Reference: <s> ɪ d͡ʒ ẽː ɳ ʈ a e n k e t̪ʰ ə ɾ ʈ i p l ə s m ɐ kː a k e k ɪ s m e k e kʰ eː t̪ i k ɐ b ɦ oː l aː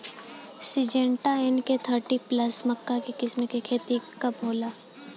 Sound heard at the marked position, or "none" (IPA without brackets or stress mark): s